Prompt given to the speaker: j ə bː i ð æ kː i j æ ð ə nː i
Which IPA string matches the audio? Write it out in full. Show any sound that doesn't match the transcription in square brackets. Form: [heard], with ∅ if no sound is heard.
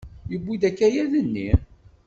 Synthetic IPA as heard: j ə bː i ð æ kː [æ] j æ ð ə nː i